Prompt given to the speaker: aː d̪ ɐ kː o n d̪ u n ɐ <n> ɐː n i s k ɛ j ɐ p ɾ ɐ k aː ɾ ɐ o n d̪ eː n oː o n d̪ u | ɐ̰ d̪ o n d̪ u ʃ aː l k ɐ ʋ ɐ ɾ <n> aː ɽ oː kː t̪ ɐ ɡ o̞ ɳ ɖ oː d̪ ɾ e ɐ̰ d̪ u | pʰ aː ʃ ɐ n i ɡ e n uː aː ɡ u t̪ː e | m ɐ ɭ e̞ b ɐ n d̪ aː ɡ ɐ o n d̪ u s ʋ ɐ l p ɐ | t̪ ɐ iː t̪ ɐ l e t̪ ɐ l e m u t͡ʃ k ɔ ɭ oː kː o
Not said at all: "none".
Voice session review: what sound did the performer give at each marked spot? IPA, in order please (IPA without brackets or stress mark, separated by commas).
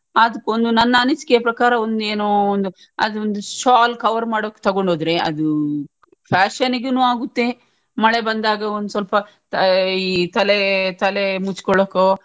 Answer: nː, m